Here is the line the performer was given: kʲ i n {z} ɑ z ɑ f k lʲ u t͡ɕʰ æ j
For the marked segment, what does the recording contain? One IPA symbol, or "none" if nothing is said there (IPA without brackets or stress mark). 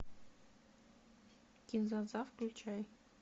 z